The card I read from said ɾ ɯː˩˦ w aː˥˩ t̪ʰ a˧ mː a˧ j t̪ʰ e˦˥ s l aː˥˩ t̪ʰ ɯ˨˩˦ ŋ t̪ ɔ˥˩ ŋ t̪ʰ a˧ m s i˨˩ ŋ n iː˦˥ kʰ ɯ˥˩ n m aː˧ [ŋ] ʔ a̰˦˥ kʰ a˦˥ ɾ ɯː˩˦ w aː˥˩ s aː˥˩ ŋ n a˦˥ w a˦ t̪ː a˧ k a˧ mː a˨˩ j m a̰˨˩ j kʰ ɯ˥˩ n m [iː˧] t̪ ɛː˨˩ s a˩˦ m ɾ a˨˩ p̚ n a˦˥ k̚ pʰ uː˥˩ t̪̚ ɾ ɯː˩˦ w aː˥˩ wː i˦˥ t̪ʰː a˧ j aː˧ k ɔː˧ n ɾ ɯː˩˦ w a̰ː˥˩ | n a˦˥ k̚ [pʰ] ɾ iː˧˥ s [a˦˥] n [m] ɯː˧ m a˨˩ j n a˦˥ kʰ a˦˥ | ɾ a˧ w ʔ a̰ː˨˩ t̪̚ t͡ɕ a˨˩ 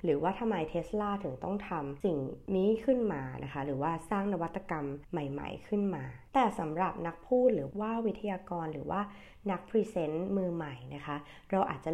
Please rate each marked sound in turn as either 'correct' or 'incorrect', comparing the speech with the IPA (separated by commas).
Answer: incorrect, incorrect, correct, incorrect, correct